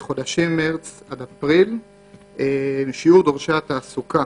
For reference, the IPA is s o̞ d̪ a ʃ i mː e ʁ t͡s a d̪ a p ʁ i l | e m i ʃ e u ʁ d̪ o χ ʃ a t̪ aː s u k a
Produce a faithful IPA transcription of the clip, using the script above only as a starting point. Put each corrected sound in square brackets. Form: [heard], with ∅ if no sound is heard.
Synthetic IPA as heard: [χ] o̞ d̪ a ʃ i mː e ʁ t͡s a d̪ a p ʁ i l | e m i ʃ [i] u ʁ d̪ o [ʁ] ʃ a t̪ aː s u k a